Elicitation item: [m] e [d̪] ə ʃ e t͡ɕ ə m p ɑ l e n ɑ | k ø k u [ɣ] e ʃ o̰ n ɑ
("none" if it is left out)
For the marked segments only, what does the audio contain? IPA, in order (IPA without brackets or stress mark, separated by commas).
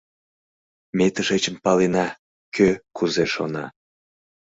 m, t̪, z